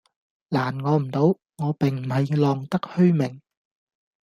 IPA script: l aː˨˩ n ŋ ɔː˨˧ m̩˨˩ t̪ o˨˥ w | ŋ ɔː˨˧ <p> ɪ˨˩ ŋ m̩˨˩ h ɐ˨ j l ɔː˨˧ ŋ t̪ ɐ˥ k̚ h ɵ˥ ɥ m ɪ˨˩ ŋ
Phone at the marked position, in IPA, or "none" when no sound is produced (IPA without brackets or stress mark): p